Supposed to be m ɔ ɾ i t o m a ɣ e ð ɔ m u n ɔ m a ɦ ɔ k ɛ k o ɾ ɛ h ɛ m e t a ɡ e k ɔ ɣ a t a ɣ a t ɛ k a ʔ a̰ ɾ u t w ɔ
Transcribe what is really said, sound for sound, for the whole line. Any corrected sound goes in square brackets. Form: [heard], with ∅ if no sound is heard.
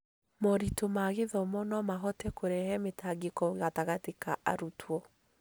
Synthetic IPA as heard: m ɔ ɾ i t o m a ɣ e ð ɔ m [ɔ] n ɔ m a ɦ ɔ [t] ɛ k o ɾ ɛ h ɛ m e t a ɡ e k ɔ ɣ a t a ɣ a t [e] k a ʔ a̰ ɾ u t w ɔ